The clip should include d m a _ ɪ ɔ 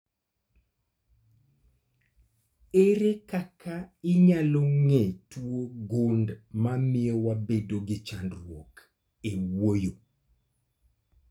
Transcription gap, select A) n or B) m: B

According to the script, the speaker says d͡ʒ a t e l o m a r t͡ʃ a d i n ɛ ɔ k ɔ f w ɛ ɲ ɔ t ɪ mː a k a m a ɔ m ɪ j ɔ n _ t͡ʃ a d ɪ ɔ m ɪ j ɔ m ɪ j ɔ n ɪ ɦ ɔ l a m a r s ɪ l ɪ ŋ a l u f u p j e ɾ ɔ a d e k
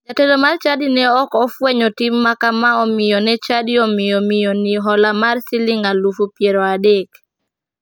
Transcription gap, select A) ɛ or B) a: A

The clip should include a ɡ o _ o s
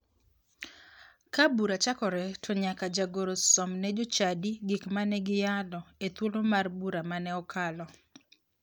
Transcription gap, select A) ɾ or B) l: A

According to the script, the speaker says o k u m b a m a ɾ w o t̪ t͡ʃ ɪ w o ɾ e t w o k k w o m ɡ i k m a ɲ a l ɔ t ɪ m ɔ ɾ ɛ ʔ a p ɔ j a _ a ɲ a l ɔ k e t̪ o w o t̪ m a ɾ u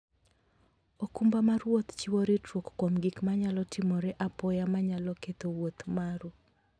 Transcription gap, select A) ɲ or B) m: B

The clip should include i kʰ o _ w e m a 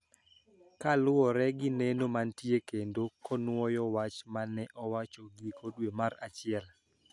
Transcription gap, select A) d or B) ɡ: A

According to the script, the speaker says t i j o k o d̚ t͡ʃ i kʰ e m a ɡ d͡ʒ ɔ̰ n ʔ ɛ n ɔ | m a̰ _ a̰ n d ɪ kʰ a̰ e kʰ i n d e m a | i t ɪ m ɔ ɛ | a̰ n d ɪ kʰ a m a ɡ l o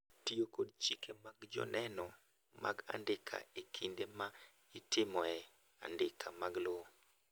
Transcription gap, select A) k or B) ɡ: B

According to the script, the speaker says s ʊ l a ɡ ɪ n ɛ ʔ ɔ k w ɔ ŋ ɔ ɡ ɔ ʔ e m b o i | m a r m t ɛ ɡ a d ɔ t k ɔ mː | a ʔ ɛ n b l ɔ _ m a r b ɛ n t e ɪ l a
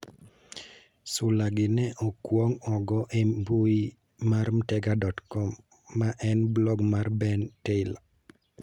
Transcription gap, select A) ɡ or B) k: A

